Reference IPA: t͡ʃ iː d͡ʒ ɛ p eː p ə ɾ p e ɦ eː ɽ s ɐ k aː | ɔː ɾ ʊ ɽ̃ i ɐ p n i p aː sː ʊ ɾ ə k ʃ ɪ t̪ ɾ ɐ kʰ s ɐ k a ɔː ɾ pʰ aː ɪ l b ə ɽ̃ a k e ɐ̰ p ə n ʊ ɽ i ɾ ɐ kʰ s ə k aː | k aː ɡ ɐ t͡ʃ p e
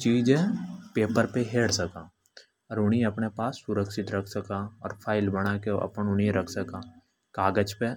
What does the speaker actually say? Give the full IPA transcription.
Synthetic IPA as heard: t͡ʃ iː d͡ʒ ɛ p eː p ə ɾ p e ɦ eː ɽ s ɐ k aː | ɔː ɾ ʊ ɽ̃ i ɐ p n e p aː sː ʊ ɾ ə k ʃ ɪ t̪ ɾ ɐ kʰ s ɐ k a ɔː ɾ pʰ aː ɪ l b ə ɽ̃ a k e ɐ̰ p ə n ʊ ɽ i ɾ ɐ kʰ s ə k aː | k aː ɡ ə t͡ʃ p e